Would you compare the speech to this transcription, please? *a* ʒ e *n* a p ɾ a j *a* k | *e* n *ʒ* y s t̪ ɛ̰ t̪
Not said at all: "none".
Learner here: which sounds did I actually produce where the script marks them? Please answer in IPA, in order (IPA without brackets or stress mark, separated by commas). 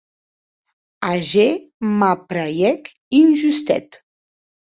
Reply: a, m, ɛ, i, ʒ